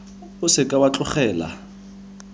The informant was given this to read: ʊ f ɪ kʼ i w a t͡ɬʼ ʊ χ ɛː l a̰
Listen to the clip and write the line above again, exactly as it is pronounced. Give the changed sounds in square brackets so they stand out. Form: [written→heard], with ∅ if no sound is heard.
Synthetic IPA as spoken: ʊ [f→s] ɪ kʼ [i→a] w a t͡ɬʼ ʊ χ ɛː l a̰